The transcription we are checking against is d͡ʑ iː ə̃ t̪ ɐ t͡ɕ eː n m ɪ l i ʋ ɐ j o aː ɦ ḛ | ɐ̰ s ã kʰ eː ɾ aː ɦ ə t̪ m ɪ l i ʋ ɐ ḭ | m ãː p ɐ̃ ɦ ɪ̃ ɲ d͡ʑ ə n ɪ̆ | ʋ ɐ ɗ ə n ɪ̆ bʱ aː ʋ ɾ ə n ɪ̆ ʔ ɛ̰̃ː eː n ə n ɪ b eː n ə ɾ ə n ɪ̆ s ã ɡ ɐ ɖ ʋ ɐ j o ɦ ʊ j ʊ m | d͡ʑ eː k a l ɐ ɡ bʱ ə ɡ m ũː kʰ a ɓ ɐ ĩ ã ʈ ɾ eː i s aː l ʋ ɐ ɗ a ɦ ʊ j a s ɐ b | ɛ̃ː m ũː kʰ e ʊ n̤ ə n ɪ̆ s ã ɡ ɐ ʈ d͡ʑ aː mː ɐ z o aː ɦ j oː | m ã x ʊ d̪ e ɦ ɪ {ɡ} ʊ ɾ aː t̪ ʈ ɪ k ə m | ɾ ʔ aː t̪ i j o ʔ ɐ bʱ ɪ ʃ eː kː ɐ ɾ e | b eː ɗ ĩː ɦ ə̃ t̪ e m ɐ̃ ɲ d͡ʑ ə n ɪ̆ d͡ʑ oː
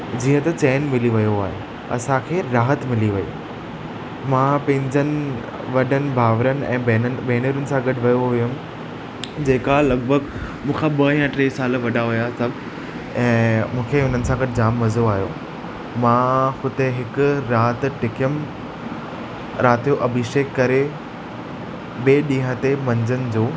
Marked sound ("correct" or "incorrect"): incorrect